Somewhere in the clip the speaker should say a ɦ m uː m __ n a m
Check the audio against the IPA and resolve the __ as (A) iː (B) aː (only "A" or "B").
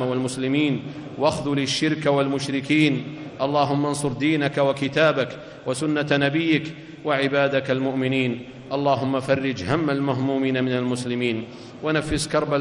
A